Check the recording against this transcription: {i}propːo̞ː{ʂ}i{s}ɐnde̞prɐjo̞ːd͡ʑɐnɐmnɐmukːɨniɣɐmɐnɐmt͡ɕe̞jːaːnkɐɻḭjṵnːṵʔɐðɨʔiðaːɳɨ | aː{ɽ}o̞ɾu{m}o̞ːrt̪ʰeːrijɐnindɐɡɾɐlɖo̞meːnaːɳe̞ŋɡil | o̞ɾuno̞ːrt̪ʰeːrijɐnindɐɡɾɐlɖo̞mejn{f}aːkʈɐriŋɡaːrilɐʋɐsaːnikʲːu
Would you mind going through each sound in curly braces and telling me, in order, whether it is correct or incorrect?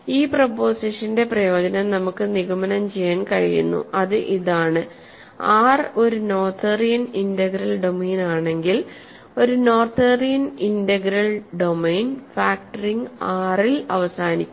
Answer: incorrect, incorrect, incorrect, incorrect, incorrect, correct

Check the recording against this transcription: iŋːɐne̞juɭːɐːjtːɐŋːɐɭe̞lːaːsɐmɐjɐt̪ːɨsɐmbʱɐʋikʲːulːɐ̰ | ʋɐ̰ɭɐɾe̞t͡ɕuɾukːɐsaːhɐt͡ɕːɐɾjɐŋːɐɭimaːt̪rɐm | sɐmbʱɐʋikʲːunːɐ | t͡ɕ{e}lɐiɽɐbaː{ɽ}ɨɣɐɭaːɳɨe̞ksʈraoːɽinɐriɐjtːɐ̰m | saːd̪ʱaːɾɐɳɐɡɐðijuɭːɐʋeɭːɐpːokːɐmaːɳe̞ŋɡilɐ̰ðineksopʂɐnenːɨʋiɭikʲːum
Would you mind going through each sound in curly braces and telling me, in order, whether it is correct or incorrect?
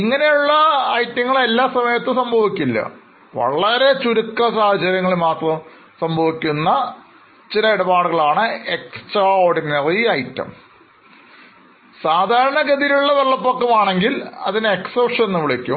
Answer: incorrect, correct

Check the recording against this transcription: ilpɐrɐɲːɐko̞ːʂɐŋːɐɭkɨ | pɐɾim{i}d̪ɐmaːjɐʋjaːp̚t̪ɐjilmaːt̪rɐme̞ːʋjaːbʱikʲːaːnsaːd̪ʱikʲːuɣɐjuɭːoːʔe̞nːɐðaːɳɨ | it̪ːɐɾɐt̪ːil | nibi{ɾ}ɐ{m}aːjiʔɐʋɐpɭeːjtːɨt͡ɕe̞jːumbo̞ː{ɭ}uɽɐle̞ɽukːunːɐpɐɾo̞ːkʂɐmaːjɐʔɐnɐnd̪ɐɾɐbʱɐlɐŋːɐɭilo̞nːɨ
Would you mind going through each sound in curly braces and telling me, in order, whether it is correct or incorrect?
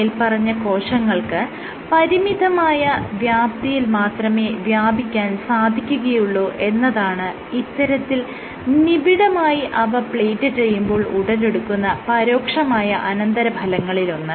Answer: correct, incorrect, correct, correct

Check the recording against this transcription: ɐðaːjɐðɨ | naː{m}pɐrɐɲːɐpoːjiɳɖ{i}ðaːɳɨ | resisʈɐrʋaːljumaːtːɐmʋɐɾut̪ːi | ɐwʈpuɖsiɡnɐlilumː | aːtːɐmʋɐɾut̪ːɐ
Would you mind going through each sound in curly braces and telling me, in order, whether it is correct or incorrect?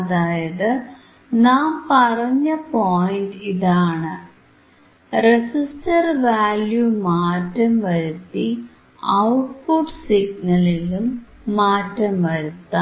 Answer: correct, correct

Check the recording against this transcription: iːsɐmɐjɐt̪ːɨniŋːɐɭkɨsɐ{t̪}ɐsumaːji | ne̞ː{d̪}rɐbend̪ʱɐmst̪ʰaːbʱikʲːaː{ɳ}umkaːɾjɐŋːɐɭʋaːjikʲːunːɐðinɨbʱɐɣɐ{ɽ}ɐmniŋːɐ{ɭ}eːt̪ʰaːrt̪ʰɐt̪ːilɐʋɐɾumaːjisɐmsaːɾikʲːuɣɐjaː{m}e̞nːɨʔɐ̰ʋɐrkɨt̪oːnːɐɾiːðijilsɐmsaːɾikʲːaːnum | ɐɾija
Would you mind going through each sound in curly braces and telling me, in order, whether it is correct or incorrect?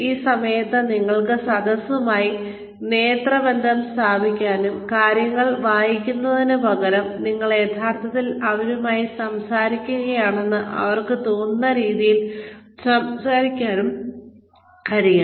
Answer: incorrect, incorrect, incorrect, incorrect, correct, incorrect

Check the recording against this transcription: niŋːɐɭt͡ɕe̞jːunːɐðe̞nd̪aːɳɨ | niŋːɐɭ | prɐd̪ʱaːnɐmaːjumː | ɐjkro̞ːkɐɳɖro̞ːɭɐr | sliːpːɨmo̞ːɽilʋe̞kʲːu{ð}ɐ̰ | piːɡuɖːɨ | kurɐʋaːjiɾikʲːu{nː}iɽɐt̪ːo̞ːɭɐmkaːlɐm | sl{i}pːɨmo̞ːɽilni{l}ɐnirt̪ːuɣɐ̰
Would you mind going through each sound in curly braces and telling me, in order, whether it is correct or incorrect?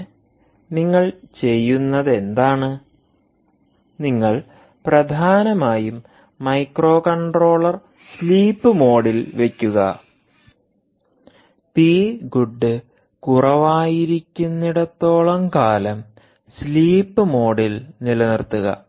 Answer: incorrect, correct, incorrect, correct

